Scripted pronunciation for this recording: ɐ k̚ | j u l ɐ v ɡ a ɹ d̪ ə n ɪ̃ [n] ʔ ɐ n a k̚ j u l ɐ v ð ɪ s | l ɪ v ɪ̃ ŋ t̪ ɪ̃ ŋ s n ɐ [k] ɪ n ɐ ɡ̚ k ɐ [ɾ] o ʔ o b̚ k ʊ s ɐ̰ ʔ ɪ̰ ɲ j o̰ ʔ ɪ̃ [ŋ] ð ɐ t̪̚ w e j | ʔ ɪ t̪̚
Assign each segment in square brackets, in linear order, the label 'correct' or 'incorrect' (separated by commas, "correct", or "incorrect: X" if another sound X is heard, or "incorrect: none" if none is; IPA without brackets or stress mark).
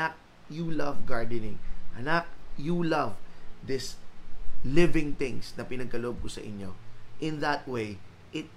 incorrect: ŋ, incorrect: p, incorrect: l, incorrect: n